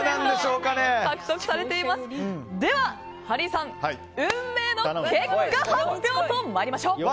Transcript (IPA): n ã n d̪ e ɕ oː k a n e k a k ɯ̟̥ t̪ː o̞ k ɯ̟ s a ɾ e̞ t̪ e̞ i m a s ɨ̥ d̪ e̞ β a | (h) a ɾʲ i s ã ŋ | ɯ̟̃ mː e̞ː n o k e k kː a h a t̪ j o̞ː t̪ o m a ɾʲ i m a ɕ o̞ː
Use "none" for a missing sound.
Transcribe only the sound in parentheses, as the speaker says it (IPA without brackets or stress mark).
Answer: h